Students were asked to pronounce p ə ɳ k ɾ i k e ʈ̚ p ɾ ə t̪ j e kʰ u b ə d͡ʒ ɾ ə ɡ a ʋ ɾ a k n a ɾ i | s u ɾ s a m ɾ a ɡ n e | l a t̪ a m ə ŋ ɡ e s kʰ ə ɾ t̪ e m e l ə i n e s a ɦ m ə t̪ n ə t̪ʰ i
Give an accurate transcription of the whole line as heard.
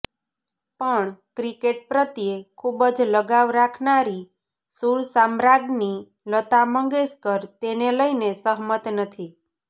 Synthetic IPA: p ə ɳ k ɾ i k e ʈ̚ p ɾ ə t̪ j e kʰ u b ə d͡ʒ l ə ɡ a ʋ ɾ a kʰ n a ɾ i | s u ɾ s a m ɾ a ɡ n i | l ə t̪ a m ə ŋ ɡ e s k ə ɾ t̪ e n e l ə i n e s ə ɦ m ə t̪ n ə t̪ʰ i